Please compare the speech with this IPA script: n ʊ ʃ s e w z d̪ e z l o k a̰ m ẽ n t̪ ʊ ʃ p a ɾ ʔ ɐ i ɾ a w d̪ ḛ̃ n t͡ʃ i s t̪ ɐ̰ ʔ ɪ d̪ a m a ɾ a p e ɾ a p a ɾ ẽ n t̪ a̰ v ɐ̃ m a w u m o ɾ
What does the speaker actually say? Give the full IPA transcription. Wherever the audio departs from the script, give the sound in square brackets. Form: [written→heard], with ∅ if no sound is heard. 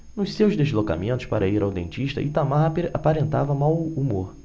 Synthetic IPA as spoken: n ʊ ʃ s e w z d̪ e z l o k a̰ m ẽ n t̪ ʊ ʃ p a ɾ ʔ ɐ i ɾ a w d̪ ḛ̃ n t͡ʃ i [s→ʃ] t̪ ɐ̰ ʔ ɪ [d̪→t̪] a m a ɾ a p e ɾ a p a ɾ ẽ n t̪ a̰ v [ɐ̃→ɐ] m a w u m o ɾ